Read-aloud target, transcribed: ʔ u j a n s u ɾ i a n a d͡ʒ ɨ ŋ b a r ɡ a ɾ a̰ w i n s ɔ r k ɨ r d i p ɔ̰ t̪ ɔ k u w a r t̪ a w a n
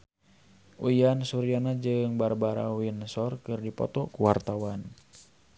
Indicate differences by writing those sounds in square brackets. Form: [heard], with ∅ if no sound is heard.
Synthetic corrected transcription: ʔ u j a n s u ɾ i a n a d͡ʒ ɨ ŋ b a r [b] a ɾ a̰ w i n s ɔ r k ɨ r d i p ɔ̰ t̪ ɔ k u w a r t̪ a w a n